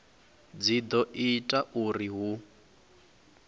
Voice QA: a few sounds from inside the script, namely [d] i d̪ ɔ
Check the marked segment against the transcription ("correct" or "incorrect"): incorrect